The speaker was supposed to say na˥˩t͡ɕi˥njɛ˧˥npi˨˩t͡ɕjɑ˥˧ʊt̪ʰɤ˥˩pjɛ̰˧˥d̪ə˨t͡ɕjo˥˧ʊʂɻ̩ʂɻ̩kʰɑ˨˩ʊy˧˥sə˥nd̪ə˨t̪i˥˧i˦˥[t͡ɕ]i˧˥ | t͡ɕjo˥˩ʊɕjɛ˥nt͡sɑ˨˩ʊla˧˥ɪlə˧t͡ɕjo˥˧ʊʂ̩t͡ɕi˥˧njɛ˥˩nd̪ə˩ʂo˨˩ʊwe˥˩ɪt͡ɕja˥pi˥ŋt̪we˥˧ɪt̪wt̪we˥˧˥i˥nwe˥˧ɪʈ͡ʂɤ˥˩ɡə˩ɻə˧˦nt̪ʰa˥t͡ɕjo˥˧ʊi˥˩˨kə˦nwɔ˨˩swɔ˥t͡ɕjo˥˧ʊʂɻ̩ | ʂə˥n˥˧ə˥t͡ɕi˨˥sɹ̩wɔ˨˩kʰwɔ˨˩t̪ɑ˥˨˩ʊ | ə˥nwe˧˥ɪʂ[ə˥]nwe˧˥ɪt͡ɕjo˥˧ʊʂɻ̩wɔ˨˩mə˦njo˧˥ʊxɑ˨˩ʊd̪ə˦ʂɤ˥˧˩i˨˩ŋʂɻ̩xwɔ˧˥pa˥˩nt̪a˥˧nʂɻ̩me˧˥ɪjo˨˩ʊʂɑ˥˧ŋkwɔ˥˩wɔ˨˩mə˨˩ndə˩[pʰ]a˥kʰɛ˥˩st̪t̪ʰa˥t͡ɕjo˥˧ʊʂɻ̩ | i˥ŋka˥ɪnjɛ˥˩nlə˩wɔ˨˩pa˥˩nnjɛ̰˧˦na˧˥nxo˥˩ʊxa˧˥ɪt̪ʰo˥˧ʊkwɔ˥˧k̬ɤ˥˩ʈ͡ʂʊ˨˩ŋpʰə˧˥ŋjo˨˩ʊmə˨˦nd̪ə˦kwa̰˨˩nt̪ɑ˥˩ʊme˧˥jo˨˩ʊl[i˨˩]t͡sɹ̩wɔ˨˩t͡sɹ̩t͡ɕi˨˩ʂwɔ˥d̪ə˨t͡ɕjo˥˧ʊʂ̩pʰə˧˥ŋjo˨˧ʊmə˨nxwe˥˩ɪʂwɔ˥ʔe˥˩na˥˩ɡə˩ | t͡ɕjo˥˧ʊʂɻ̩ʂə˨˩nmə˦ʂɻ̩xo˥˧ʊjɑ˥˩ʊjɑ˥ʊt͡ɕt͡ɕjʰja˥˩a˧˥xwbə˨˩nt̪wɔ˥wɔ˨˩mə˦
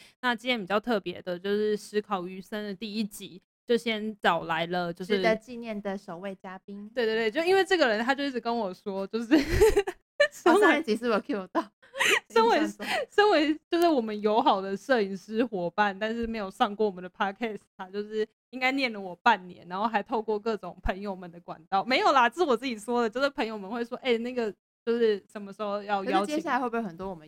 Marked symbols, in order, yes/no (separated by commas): yes, yes, yes, no